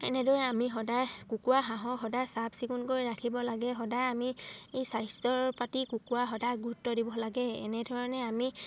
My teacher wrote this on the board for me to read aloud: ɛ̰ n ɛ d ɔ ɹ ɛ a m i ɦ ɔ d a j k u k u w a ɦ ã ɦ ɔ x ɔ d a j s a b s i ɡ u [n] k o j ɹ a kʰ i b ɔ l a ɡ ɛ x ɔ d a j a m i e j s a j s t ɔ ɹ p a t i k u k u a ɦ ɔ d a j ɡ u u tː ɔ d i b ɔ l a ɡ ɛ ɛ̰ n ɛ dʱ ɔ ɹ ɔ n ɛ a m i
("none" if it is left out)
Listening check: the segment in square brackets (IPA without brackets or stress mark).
n